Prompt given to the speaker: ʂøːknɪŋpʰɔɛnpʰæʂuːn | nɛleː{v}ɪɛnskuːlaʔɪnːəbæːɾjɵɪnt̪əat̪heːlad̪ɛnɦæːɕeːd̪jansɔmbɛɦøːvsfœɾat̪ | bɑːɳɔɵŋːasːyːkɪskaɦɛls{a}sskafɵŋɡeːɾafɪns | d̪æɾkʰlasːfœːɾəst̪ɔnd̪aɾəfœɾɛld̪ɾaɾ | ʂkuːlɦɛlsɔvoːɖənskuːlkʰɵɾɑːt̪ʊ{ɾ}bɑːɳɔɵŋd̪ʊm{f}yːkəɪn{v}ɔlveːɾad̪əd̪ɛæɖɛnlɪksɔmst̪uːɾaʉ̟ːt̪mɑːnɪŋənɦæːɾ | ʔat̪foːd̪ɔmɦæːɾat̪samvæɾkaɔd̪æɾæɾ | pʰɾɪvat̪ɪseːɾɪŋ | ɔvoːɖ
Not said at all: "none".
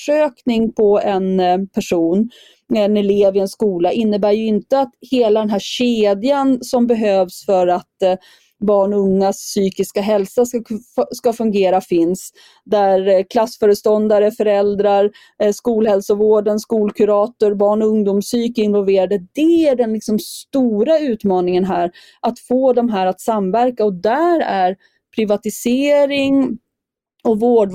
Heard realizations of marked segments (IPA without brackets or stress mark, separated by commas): v, a, ɾ, s, v